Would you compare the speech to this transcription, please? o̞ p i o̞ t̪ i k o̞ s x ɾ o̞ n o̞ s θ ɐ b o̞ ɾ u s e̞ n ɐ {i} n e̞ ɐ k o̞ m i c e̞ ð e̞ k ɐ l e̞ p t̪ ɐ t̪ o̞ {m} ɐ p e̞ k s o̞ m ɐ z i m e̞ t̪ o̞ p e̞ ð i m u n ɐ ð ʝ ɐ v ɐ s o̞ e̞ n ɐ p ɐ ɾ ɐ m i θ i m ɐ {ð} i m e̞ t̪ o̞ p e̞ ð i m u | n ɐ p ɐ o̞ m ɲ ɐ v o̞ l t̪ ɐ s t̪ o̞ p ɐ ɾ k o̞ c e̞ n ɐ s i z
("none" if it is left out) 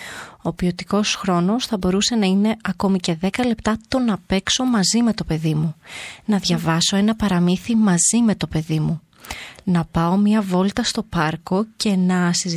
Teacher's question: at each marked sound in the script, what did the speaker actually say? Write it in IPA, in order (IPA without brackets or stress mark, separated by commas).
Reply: i, n, z